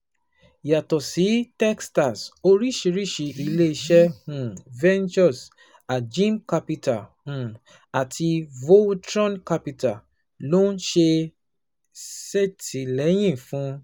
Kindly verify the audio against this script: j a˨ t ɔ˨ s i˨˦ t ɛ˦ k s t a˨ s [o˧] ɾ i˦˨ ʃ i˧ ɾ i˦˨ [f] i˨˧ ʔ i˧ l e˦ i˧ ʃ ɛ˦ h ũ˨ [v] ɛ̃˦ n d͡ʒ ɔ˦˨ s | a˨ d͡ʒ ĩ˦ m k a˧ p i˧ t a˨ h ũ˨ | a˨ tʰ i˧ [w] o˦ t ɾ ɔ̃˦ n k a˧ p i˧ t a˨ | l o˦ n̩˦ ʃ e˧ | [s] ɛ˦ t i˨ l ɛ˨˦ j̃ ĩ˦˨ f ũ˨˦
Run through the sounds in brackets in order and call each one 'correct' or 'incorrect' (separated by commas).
correct, incorrect, correct, incorrect, correct